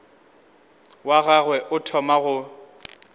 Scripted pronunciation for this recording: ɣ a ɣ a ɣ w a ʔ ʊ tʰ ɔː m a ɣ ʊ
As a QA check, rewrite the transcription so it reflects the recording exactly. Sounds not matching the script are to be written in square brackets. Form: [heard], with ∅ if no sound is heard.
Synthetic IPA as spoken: [w] a ɣ a ɣ w [ɛ] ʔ ʊ tʰ [ɔ] m a ɣ ʊ

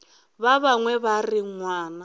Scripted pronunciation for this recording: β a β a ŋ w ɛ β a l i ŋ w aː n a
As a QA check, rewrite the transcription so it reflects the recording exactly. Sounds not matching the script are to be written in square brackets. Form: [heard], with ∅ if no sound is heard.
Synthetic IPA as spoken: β a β a ŋ w ɛ β a [r] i ŋ w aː n a

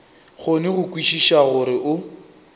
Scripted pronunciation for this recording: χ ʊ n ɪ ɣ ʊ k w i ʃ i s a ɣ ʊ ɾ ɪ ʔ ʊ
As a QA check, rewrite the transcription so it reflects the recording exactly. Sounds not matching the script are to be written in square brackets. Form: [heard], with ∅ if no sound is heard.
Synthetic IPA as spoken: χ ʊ n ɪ ɣ ʊ k w i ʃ i [ʃ] a ɣ ʊ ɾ ɪ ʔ ʊ

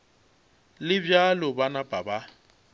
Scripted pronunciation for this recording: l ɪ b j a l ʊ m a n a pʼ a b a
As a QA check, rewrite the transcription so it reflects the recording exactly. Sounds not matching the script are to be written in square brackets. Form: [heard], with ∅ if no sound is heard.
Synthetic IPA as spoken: l ɪ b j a l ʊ [b] a n a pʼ a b a

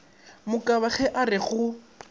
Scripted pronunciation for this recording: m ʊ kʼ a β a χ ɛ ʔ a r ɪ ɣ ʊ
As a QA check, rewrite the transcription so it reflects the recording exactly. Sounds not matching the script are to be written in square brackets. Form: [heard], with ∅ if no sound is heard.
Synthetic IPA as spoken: m ʊ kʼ a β a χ ɛ ʔ a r ɪ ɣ ʊ

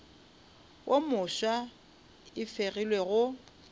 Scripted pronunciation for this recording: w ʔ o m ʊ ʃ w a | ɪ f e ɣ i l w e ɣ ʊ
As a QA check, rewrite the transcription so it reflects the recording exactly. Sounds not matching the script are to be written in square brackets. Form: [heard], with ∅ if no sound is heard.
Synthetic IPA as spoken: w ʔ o m ʊ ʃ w a | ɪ f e ɣ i l w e ɣ ʊ

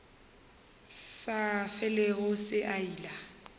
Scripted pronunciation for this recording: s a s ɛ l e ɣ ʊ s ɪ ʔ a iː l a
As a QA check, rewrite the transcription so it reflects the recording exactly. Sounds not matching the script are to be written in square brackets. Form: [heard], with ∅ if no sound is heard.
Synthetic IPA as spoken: s a [f] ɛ l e ɣ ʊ s ɪ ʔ a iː l a

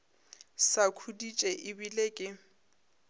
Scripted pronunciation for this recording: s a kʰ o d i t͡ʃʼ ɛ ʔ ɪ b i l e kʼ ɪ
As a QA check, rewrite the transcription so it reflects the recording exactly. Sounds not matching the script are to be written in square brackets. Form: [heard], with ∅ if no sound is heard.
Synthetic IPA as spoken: s a kʰ [u] d i t͡ʃʼ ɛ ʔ ɪ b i l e kʼ ɪ

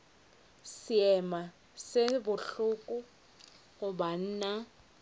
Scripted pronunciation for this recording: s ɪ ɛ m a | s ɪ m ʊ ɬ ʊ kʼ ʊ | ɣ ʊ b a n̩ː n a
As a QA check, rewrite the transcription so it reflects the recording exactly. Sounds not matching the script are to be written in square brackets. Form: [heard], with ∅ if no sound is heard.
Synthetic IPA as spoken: s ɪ ɛ m a | s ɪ [b] ʊ ɬ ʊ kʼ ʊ | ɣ ʊ b a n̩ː n a

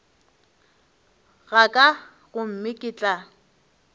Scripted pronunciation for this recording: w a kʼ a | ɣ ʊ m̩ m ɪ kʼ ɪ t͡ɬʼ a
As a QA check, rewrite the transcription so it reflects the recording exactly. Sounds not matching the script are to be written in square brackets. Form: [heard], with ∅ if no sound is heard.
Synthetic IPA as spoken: [ɣ] a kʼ a | ɣ ʊ m̩ m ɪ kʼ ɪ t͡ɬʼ a

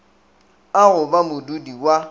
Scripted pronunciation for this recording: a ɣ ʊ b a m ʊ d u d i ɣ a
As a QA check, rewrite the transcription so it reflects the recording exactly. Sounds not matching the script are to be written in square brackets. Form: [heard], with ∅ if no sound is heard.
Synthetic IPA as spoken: a ɣ ʊ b a m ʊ d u d i [w] a

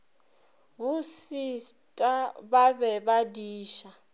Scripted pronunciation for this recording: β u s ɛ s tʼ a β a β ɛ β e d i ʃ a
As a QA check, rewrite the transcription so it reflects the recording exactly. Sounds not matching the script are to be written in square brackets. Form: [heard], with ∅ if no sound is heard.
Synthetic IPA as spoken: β u s [i] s tʼ a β a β ɛ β [a] d [iː] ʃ a

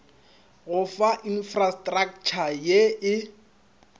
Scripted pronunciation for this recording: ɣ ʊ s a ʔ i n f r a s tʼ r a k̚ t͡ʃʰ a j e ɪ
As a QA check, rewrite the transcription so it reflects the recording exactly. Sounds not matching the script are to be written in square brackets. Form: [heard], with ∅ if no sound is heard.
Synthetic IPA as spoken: ɣ ʊ [f] a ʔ i n f r a s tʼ r a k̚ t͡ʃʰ a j e ɪ

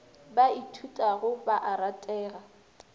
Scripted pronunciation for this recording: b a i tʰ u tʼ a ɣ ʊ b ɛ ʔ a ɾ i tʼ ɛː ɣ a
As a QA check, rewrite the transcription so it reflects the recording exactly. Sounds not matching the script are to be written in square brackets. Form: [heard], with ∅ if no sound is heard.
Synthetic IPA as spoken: b a i tʰ u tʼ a ɣ ʊ b [a] ʔ a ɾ [a] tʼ ɛː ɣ a

